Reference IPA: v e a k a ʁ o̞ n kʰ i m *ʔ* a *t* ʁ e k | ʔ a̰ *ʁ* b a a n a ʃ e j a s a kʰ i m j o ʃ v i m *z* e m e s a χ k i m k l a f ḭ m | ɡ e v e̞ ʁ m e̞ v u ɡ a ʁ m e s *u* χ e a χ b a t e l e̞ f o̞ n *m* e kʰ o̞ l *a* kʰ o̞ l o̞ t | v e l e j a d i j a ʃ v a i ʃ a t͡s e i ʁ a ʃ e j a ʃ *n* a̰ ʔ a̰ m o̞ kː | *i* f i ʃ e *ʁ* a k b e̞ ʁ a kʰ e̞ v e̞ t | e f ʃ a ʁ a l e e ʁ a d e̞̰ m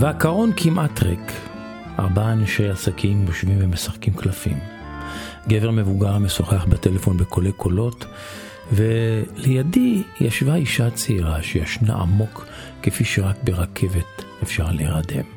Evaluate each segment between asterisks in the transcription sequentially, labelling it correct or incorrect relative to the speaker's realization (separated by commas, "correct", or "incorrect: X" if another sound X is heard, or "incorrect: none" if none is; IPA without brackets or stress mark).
correct, correct, correct, incorrect: v, incorrect: o, incorrect: b, incorrect: e, correct, incorrect: e, correct